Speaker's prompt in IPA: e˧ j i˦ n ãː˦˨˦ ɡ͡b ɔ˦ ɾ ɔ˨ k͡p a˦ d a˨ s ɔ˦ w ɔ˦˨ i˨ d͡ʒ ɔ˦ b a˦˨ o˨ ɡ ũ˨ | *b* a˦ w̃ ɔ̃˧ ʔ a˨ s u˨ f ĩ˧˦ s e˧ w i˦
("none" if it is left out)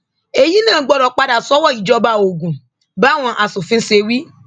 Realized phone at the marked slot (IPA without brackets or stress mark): b